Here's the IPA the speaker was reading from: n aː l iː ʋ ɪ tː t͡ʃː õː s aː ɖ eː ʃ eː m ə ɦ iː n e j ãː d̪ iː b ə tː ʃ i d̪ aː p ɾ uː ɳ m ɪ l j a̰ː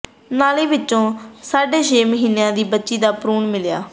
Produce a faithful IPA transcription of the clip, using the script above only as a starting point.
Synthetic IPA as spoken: n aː l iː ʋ ɪ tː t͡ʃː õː s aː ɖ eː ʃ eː m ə ɦ iː n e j ãː d̪ iː b ə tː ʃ iː d̪ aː p ɾ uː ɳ m ɪ l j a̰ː